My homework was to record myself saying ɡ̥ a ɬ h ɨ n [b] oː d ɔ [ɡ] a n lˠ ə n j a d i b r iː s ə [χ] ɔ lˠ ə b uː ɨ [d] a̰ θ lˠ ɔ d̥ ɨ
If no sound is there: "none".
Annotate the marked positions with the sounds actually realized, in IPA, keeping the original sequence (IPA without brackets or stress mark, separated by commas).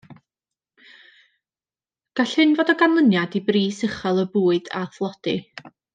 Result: v, ɡ, χ, d